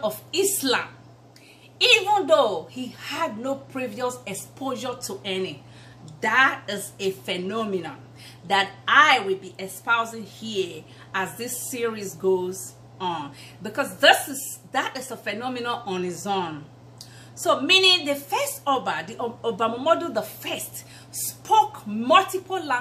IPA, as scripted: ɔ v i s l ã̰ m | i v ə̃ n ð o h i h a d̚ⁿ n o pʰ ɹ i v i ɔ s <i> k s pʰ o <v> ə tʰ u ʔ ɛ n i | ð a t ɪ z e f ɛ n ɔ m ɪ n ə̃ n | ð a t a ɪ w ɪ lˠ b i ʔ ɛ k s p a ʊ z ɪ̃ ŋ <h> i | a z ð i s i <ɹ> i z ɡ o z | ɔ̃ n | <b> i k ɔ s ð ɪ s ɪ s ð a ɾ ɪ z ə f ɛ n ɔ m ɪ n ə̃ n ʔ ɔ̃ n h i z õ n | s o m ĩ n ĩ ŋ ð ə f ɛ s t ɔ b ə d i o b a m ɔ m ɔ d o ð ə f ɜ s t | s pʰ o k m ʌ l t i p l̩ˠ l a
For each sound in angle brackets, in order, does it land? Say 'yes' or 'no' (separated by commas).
no, no, yes, yes, yes